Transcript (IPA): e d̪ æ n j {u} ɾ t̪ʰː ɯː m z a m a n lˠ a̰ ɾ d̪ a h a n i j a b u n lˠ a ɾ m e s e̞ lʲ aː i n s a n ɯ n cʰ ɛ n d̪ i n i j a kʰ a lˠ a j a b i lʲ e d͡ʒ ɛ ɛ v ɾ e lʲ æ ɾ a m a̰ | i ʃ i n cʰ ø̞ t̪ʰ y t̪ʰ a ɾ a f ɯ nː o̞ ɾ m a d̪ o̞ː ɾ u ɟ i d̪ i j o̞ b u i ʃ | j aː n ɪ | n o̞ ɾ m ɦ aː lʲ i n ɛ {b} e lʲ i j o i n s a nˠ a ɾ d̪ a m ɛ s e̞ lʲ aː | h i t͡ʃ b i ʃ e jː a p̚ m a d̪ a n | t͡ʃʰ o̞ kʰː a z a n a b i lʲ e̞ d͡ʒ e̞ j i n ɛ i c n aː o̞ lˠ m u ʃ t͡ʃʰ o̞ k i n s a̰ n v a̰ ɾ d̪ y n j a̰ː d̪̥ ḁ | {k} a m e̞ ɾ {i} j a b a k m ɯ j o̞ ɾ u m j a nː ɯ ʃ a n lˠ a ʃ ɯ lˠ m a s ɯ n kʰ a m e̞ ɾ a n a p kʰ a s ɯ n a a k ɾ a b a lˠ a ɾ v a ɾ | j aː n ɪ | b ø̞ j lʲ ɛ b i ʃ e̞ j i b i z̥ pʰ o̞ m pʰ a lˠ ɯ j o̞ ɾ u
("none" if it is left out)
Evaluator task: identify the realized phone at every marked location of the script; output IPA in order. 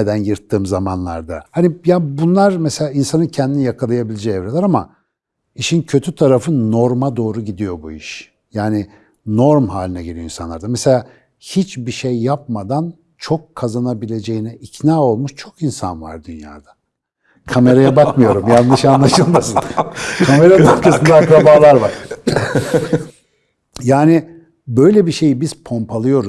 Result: ɯ, ɟ, kʰ, a

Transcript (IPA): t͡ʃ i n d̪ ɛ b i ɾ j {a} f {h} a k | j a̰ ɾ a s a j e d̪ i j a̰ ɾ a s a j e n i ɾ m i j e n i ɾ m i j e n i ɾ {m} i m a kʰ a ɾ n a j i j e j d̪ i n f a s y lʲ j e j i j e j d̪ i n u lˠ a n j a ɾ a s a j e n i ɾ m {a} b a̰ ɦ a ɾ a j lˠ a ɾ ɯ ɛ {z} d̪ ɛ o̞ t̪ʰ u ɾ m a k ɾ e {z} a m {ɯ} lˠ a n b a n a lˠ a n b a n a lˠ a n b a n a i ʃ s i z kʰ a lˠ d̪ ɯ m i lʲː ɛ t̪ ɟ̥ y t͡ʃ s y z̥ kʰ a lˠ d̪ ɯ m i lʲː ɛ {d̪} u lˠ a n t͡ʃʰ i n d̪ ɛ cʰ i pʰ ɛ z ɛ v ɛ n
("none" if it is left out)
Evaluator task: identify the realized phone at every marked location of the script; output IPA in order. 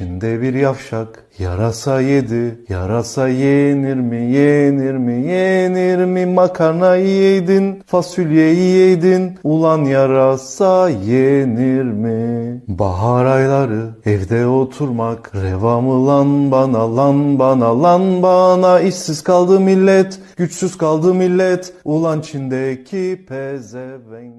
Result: a, ʃ, m, i, v, v, ɯ, t̪

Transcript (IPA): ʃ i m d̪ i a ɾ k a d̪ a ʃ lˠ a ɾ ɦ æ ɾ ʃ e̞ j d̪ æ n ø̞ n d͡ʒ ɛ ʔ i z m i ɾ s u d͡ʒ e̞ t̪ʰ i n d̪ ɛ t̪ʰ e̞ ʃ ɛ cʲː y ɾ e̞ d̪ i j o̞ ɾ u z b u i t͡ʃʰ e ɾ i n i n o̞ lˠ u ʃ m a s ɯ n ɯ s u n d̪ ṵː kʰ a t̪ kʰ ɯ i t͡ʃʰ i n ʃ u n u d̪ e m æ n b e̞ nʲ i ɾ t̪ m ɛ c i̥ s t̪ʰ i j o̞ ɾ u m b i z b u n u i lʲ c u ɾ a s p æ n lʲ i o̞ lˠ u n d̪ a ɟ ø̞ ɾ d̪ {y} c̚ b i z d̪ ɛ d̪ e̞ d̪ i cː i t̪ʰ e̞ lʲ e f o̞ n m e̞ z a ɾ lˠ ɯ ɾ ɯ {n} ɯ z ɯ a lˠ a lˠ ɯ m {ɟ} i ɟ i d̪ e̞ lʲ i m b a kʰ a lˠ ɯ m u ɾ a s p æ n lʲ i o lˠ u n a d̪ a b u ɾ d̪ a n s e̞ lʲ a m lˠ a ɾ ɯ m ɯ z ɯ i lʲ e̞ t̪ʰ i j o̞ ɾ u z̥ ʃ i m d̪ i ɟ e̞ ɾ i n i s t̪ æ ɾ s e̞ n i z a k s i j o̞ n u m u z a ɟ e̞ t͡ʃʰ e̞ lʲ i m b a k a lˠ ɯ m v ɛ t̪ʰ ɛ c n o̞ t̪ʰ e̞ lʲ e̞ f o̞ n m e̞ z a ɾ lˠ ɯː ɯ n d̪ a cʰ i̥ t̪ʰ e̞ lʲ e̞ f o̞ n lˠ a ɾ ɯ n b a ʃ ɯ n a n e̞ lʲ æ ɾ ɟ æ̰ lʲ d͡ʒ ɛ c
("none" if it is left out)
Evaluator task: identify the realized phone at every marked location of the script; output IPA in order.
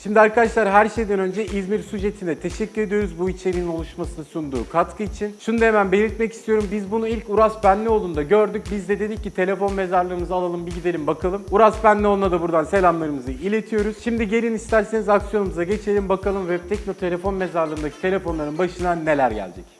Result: y, m, b

